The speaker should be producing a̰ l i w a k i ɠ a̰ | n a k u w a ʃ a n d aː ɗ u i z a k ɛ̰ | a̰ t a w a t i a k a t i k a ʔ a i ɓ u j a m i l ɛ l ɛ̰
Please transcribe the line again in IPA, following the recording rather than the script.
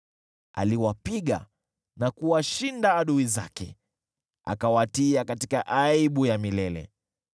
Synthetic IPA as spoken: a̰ l i w a p i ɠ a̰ | n a k u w a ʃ i n d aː ɗ u i z a k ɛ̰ | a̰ k a w a t i a k a t i k a ʔ a i ɓ u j a m i l ɛ l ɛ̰